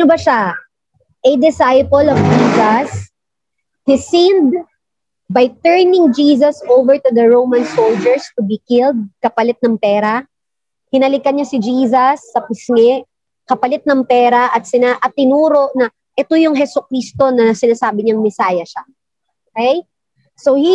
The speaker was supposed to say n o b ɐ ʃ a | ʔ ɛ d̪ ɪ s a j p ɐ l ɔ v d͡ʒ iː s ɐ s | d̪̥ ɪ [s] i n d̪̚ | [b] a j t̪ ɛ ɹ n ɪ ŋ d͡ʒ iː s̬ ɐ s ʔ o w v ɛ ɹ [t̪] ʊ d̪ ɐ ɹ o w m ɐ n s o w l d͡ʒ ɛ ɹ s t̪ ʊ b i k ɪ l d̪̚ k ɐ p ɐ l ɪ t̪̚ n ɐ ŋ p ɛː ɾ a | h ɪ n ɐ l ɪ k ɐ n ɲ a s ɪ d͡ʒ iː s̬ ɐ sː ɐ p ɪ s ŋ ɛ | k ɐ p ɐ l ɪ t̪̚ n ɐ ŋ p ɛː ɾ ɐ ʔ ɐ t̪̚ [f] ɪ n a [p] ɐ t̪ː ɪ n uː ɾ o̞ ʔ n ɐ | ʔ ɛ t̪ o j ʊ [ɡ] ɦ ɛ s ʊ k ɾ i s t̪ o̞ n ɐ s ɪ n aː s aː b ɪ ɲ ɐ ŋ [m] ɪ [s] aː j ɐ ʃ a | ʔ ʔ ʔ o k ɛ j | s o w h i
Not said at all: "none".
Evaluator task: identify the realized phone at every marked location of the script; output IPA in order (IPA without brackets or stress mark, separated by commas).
s, b, t̪, s, ʔ, ŋ, m, s